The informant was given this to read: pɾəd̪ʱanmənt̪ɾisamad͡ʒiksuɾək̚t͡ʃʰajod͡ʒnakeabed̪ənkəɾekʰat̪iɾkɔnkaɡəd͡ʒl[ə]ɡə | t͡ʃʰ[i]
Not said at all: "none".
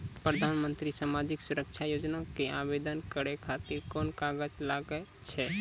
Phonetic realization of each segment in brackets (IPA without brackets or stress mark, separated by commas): a, ɛ